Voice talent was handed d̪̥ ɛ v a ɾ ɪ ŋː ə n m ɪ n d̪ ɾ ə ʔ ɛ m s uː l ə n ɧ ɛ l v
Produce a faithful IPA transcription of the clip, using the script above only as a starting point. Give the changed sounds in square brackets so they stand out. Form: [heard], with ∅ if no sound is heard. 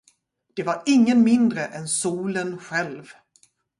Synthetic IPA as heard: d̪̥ ɛ v a ɾ ɪ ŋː ə n m ɪ n d̪ ɾ ə ʔ ɛ [n] s uː l ə n ɧ ɛ l v

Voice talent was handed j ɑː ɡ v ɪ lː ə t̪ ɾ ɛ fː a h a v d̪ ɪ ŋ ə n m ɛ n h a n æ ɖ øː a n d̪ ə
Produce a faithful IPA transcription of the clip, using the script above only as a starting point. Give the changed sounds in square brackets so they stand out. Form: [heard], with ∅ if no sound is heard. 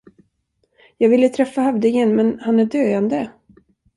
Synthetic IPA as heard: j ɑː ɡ v ɪ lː ə [t̪ʰ] ɾ ɛ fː a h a v d̪ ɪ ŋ ə n m ɛ n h a n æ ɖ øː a n d̪ ə

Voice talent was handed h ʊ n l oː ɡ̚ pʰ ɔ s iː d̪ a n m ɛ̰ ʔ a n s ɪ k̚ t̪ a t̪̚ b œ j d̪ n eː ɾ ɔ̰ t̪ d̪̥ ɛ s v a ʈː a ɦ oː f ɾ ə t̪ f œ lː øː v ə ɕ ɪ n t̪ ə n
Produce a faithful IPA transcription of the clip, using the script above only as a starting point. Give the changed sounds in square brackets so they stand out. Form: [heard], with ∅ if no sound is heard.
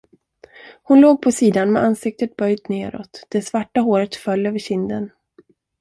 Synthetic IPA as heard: h ʊ n l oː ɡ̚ pʰ ɔ s iː d̪ a n m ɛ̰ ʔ a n s ɪ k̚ t̪ [ə] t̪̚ b œ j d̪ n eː ɾ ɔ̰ t̪ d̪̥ ɛ s v a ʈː a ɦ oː [∅] ɾ ə t̪ f œ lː øː v ə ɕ ɪ n [d̪] ə n

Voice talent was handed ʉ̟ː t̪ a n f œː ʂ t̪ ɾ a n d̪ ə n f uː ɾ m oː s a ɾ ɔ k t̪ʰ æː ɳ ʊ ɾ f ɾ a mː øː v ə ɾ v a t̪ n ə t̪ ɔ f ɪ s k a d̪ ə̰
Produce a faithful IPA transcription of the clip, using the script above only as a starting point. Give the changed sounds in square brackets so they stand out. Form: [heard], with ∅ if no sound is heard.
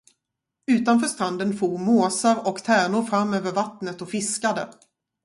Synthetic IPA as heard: ʉ̟ː t̪ a n f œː ʂ t̪ ɾ a n d̪ ə n f uː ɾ m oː s a ɾ ɔ k t̪ʰ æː ɳ ʊ ɾ f ɾ a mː øː v ə ɾ v a t̪ n ə t̪ ɔ f ɪ s k a d̪ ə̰

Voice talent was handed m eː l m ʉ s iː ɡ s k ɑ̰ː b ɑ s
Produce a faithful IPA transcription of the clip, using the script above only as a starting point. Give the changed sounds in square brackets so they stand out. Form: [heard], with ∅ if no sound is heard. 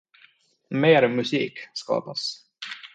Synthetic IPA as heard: m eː [ɾ] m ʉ s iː [k] s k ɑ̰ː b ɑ s

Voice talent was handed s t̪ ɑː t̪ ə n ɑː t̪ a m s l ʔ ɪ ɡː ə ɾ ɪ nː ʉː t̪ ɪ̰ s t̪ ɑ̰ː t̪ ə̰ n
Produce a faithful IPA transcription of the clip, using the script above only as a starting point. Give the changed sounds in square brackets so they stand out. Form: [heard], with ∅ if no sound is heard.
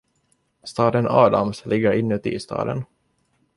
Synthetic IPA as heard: s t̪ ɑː [d̪] ə n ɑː [d̪] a m s l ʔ ɪ ɡː ə ɾ ɪ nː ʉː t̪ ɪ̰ s t̪ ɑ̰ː [d̪] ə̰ n

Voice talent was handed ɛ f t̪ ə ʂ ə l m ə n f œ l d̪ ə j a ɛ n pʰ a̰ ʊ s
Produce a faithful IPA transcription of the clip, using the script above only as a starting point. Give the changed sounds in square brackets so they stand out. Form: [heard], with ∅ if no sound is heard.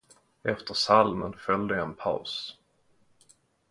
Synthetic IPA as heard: ɛ f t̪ ə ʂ [a] l m ə n f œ l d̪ ə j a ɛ n pʰ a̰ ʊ s

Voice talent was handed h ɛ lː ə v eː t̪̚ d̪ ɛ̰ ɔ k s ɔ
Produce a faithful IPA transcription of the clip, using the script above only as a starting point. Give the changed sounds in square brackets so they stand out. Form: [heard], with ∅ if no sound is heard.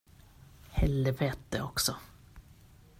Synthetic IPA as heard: h ɛ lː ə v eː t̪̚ d̪ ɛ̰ ɔ k s ɔ

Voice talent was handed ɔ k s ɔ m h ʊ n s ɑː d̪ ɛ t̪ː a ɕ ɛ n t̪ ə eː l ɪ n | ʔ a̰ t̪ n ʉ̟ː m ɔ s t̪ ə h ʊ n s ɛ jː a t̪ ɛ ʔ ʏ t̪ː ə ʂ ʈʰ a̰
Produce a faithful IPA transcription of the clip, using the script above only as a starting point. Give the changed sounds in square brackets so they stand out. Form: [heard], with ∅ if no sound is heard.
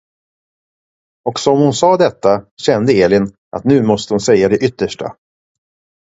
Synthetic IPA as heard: ɔ k s ɔ m h ʊ n s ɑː d̪ ɛ t̪ː a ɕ ɛ n [d̪] ə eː l ɪ n | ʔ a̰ t̪ n ʉ̟ː m ɔ s t̪ ə h ʊ n s ɛ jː a [d̪] ɛ ʔ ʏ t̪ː ə ʂ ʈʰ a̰

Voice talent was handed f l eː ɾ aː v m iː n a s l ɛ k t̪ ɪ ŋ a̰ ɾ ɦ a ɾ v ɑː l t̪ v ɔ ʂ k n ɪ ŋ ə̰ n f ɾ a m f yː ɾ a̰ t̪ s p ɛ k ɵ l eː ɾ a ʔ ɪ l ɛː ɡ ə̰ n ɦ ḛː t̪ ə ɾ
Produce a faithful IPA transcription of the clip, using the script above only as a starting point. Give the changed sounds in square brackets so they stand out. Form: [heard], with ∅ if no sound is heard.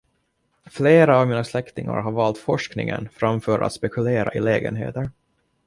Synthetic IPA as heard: f l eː ɾ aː v m iː n a s l ɛ k t̪ ɪ ŋ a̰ ɾ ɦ a ɾ v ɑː l t̪ [f] ɔ ʂ k n ɪ ŋ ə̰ n f ɾ a m f [œː] ɾ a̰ t̪ s p ɛ k ɵ l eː ɾ a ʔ ɪ l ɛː ɡ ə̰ n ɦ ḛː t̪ ə ɾ

